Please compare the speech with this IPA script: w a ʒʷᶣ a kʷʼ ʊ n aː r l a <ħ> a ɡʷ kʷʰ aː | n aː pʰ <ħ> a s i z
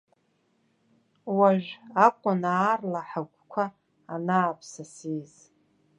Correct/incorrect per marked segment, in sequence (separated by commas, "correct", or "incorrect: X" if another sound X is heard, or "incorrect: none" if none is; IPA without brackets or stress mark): correct, incorrect: s